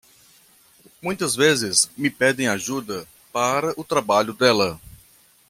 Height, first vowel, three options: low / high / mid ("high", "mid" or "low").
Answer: high